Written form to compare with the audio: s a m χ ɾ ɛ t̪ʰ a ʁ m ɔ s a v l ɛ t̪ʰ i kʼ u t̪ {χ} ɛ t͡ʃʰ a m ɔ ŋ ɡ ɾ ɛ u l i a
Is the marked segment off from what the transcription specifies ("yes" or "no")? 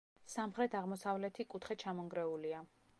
no